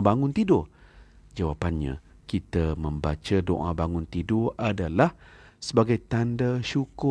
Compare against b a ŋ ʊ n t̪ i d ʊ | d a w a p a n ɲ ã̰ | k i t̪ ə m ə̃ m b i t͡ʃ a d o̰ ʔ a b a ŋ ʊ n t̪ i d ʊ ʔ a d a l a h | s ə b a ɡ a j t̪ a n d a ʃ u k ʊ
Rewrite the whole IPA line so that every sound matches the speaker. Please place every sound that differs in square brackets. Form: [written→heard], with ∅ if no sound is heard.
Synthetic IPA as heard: b a ŋ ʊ n t̪ i d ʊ | [d→d͡ʒ] a w a p a n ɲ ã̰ | k i t̪ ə m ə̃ m b [i→a] t͡ʃ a d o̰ ʔ a b a ŋ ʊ n t̪ i d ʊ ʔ a d a l a h | s ə b a ɡ a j t̪ a n d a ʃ u k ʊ